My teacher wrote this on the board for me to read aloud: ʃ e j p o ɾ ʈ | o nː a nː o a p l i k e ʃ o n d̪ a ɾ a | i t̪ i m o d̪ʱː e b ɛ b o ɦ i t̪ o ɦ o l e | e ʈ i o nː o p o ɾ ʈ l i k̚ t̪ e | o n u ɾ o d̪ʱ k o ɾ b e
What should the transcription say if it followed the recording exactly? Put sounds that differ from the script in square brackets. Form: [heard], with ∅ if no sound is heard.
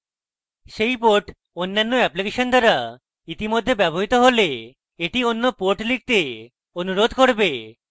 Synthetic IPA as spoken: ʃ e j p o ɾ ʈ | o nː a nː o [ɛ] p l i k e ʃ o n d̪ a ɾ a | i t̪ i m o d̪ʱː e b ɛ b o ɦ i t̪ o ɦ o l e | e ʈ i o nː o p o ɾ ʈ l i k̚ t̪ e | o n u ɾ o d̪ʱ k o ɾ b e